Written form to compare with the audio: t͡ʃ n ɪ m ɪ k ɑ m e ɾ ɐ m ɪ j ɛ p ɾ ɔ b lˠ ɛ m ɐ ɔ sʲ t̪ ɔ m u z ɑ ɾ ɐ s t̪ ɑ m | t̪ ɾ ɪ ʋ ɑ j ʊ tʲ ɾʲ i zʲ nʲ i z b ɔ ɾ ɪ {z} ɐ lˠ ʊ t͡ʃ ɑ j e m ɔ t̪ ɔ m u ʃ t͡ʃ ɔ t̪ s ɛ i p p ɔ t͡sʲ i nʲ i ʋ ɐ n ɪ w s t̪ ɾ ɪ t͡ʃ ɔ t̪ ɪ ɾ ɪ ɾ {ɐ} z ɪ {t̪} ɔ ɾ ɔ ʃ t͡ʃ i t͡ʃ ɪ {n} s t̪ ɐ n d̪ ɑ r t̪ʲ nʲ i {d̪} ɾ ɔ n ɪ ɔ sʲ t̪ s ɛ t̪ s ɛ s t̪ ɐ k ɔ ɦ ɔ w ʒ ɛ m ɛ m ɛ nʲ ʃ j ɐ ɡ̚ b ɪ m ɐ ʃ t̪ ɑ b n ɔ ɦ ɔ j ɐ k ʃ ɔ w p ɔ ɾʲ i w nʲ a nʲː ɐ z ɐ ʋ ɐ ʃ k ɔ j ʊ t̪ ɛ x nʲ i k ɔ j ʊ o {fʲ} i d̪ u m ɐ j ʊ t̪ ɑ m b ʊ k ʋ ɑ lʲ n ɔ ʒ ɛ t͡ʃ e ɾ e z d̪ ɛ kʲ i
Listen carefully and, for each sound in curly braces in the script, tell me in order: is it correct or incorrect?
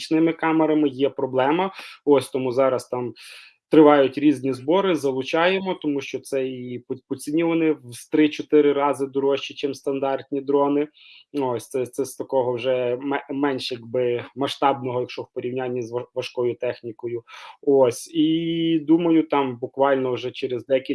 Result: correct, incorrect: ɑ, incorrect: d̪, incorrect: m, correct, incorrect: sʲ

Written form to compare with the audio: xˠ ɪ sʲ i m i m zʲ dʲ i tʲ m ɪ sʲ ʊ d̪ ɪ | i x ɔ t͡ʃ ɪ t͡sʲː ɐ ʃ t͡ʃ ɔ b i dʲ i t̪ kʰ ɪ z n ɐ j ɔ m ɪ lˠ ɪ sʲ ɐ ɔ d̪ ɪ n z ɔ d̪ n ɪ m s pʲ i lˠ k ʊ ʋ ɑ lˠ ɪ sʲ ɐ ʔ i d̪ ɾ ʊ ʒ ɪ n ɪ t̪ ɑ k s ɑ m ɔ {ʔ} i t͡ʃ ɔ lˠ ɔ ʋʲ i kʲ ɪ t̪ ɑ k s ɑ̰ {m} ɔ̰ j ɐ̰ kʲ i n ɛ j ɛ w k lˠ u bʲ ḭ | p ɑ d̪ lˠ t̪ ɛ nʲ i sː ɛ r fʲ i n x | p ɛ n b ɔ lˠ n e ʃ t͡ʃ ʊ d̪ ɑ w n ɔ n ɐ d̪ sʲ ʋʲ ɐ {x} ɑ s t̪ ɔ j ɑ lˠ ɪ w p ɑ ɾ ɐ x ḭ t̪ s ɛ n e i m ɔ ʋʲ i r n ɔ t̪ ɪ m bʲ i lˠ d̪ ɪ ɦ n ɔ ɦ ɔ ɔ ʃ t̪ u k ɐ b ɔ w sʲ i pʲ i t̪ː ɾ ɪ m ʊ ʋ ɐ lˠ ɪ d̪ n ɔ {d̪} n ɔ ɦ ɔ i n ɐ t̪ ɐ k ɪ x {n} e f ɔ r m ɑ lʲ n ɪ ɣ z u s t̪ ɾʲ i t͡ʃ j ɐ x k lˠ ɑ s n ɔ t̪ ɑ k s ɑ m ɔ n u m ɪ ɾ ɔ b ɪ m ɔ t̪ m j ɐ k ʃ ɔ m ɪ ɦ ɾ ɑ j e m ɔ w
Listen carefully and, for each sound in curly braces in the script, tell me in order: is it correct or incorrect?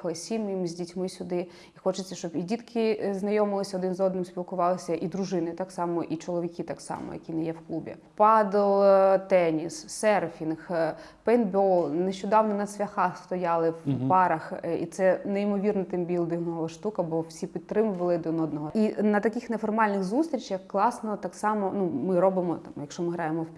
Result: correct, correct, correct, correct, correct

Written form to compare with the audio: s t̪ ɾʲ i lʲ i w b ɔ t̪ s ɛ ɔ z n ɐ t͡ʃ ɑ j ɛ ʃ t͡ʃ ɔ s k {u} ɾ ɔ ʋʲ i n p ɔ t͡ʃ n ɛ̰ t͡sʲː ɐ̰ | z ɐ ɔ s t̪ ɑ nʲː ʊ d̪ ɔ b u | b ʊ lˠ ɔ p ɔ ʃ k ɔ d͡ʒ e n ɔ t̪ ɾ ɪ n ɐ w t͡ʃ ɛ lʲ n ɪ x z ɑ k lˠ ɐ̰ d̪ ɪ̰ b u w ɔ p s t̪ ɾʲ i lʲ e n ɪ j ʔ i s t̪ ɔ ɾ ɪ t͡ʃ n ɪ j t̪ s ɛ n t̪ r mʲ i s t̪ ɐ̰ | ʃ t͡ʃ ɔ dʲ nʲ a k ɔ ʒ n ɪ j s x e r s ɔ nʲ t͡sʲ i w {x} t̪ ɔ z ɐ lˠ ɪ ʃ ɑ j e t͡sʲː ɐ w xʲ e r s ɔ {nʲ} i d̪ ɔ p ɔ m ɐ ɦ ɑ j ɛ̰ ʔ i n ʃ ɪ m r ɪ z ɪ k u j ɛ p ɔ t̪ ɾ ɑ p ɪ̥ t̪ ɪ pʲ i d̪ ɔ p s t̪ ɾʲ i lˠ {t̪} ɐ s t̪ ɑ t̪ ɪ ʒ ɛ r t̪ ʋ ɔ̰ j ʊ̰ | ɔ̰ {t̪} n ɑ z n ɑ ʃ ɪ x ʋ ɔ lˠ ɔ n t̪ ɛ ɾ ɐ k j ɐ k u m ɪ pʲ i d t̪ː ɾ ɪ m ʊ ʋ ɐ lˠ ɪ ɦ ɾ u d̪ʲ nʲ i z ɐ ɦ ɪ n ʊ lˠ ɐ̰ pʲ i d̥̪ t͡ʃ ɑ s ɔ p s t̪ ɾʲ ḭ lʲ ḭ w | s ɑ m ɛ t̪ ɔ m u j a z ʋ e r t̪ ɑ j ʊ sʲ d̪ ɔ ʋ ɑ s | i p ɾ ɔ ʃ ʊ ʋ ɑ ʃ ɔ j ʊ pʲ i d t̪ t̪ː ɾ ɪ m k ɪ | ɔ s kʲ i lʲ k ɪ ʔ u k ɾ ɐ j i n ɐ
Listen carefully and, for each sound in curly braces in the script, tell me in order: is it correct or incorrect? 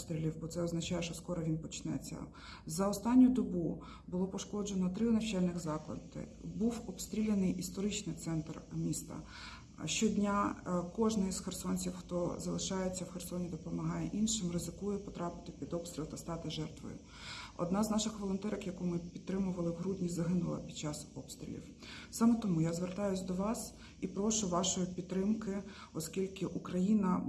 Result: incorrect: ɔ, correct, correct, correct, incorrect: d̪

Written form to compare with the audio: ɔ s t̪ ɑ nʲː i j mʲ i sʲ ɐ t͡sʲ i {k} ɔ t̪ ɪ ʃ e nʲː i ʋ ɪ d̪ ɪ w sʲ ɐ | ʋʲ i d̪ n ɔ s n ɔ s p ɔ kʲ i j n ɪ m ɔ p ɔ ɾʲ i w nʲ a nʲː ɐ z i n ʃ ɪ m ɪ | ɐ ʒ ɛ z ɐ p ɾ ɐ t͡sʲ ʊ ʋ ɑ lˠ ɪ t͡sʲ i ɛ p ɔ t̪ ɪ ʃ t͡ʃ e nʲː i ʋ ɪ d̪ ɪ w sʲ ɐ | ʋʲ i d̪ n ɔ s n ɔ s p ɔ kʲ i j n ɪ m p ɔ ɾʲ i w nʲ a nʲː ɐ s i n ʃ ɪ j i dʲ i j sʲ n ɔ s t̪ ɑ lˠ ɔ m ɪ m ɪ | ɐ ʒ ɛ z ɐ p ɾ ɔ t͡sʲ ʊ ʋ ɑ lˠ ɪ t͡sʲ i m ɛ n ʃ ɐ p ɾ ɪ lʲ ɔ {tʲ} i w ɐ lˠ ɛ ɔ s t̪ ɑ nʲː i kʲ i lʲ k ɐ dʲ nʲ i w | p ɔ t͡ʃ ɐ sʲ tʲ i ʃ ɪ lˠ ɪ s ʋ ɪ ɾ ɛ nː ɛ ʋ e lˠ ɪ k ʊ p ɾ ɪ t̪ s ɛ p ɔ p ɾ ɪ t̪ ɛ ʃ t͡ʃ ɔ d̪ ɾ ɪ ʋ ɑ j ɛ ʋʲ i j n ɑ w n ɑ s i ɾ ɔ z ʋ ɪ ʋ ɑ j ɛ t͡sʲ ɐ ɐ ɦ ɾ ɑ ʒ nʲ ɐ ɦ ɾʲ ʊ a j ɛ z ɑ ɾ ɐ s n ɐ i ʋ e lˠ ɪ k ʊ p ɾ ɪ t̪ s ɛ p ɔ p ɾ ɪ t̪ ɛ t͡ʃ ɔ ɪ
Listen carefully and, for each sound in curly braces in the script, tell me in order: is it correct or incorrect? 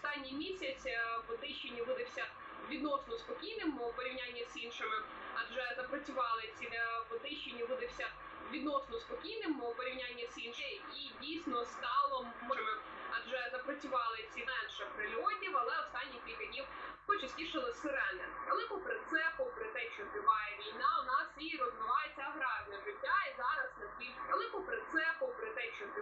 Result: incorrect: p, correct

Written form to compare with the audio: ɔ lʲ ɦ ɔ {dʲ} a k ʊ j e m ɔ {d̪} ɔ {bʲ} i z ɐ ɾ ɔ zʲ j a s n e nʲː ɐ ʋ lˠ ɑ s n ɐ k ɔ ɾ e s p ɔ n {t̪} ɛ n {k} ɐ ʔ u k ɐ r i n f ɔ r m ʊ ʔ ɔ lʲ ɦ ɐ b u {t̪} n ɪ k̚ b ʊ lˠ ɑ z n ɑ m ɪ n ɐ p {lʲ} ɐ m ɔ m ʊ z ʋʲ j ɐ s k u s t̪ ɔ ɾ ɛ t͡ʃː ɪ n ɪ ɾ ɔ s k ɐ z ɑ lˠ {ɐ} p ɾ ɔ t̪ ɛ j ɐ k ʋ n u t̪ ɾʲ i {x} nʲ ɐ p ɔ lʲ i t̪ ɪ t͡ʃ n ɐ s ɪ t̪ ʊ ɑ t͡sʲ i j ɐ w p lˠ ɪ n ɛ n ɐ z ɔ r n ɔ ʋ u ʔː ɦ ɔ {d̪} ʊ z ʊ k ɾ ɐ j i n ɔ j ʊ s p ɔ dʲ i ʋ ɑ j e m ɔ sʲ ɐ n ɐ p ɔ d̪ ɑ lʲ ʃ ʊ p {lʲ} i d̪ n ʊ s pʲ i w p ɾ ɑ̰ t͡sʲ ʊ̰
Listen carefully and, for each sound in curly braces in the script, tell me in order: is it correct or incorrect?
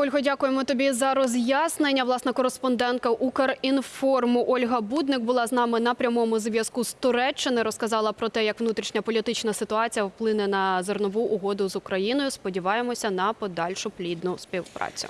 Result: correct, incorrect: t̪, correct, incorrect: d̪, correct, incorrect: d̪, incorrect: ɾʲ, correct, incorrect: ʃ, correct, correct

